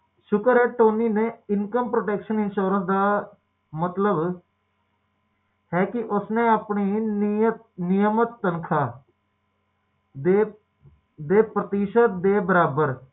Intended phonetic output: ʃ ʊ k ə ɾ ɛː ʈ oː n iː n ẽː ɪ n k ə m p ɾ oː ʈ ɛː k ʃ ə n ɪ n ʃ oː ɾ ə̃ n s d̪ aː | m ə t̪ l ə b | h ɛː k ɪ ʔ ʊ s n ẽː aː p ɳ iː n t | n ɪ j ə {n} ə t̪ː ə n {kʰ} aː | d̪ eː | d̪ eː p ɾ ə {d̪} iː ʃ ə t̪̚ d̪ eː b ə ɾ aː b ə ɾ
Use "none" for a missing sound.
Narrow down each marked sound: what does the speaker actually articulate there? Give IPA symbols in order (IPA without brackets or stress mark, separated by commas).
m, kʰ, t̪